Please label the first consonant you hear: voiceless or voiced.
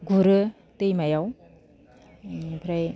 voiced